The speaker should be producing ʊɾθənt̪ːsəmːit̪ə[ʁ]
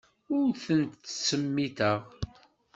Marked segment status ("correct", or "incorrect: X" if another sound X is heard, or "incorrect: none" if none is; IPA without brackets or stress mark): correct